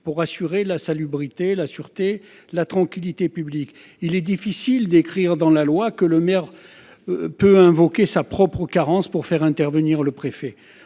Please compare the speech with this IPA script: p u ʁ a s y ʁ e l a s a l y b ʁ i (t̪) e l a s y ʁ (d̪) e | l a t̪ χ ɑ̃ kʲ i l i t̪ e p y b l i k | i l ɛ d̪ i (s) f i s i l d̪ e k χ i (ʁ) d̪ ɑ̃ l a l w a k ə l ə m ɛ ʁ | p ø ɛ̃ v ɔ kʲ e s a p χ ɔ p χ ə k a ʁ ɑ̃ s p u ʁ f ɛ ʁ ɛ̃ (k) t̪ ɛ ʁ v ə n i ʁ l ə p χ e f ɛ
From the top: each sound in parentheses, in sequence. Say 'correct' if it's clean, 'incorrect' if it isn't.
correct, incorrect: t̪, incorrect: none, correct, incorrect: none

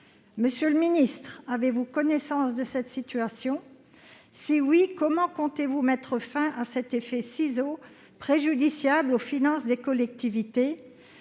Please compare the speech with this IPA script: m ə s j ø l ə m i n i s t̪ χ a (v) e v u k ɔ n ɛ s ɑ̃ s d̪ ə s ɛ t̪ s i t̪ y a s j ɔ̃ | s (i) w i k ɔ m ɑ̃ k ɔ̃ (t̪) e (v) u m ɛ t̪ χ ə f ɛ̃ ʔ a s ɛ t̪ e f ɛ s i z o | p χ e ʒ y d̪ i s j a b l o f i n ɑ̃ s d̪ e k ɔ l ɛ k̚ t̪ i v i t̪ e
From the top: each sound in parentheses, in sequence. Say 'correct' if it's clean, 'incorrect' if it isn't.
correct, correct, correct, correct

